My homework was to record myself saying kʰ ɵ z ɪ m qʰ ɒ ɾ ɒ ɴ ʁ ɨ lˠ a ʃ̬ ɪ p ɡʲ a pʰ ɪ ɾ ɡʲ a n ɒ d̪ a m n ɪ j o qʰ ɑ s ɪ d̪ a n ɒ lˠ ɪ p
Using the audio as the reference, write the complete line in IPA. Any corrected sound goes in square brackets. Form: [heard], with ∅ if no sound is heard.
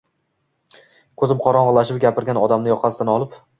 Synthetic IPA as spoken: kʰ ɵ z ɪ m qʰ ɒ ɾ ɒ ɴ ʁ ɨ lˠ a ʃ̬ ɪ p ɡʲ a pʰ ɪ ɾ ɡʲ a n ɒ d̪ a m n ɪ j [ɒ] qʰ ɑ s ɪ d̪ a n ɒ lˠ ɪ p